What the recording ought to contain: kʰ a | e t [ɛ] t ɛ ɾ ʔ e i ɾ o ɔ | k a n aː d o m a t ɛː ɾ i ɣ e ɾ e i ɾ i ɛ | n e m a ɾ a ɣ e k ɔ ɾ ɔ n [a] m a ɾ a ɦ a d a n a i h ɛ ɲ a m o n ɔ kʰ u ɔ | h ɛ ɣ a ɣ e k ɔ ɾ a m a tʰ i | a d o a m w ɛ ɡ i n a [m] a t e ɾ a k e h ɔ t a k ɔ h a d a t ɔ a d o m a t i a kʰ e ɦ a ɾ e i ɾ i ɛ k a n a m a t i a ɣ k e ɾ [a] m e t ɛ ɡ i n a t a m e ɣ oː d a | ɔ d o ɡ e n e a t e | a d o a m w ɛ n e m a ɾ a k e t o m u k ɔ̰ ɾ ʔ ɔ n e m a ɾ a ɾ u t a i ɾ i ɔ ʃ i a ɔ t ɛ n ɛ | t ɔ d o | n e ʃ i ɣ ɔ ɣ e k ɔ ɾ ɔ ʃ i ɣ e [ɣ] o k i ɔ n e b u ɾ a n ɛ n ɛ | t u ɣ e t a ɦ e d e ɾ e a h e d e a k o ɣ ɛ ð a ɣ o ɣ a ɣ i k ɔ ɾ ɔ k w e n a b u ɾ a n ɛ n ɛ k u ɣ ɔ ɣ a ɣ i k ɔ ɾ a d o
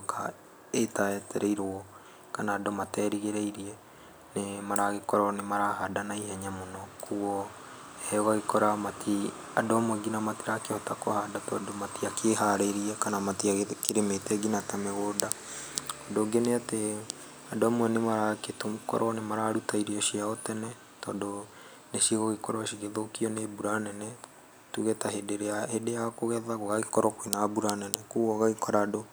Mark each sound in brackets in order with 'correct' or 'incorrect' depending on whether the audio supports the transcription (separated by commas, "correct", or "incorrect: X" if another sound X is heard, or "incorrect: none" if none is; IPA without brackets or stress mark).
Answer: incorrect: a, incorrect: e, correct, incorrect: e, incorrect: ð